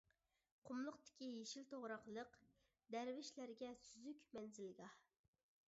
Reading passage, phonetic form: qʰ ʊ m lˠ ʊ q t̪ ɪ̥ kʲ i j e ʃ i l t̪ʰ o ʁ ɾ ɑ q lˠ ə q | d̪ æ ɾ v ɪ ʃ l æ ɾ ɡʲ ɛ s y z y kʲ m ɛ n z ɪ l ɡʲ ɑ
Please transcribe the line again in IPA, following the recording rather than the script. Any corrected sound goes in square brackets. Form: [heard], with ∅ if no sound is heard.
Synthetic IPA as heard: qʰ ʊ m lˠ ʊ q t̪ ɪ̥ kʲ i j e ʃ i l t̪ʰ o ʁ ɾ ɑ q lˠ ə q | d̪ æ ɾ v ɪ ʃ l æ ɾ ɡʲ ɛ s y z y kʲ m ɛ n z ɪ l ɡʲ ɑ